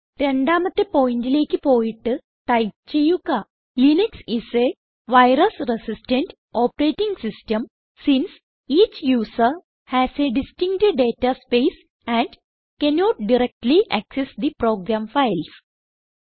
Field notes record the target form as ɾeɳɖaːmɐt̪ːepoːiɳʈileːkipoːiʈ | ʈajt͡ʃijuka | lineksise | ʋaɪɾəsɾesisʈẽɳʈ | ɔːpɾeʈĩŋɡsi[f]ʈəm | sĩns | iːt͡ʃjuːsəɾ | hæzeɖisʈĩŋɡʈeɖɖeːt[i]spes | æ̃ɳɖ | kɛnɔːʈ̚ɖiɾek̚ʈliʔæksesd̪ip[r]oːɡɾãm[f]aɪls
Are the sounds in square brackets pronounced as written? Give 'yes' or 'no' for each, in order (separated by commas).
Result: no, no, no, yes